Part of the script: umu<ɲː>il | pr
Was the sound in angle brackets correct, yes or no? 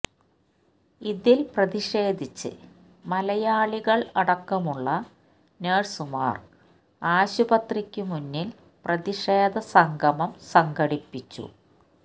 no